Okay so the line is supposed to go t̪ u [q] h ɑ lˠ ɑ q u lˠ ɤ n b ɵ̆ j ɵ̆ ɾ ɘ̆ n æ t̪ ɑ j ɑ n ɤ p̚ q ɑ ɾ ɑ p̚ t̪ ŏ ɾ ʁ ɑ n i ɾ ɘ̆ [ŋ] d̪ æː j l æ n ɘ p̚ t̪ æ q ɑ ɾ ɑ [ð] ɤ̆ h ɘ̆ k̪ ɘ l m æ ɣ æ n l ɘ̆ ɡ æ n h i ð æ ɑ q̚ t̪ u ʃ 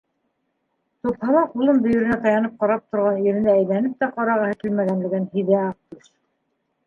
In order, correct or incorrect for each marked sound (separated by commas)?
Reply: incorrect, incorrect, incorrect